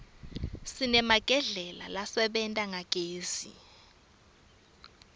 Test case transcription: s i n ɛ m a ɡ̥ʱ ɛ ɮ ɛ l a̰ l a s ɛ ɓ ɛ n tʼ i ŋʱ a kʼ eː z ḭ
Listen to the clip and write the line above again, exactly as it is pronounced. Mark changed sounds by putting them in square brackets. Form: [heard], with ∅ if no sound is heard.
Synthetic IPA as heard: s i n ɛ m a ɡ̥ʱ ɛ ɮ ɛ l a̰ l a s ɛ ɓ ɛ n tʼ [a] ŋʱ a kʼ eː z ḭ